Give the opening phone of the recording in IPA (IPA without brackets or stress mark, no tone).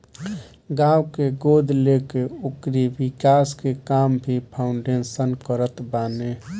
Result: ɡ